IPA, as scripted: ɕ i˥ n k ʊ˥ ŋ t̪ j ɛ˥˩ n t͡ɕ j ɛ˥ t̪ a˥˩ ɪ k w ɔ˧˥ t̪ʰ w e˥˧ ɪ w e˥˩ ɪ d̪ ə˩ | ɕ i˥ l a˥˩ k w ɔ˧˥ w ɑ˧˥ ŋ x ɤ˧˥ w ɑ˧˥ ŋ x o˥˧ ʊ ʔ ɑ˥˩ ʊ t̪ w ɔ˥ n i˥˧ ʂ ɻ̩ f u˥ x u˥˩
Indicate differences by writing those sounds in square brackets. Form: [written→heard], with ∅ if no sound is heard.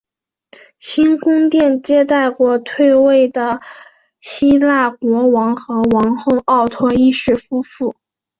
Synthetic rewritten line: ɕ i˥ n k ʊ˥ ŋ t̪ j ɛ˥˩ n t͡ɕ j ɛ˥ t̪ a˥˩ ɪ k w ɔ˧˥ t̪ʰ w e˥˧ ɪ w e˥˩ ɪ d̪ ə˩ | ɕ i˥ l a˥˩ k w ɔ˧˥ w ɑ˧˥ ŋ x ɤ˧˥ w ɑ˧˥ ŋ x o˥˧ ʊ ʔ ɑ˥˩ ʊ [t̪→t̪ʰ] w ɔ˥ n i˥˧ ʂ ɻ̩ f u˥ [x→f] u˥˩